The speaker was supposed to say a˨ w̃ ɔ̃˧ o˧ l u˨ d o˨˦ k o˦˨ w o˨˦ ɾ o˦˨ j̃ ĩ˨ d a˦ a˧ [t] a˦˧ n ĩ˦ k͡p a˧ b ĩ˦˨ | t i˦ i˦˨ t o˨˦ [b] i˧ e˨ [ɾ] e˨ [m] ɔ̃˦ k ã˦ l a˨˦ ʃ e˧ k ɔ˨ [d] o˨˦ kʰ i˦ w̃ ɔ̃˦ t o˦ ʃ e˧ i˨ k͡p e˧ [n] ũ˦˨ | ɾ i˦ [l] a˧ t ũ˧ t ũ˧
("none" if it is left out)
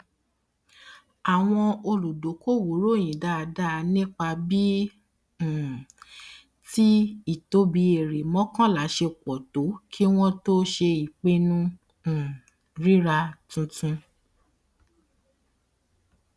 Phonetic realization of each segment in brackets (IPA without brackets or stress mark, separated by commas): d, b, ɾ, m, t, n, ɾ